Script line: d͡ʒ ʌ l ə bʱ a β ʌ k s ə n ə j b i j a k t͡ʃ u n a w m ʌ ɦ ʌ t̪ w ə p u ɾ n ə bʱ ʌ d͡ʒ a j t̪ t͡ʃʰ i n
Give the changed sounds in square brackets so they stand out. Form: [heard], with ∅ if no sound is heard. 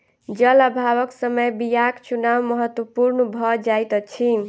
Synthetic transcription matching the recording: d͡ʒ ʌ l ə bʱ a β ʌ k s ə [m] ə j b i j a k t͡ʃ u n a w m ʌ ɦ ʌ t̪ w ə p u ɾ n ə bʱ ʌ d͡ʒ a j t̪ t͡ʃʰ i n